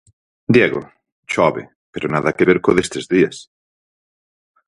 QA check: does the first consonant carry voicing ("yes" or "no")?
yes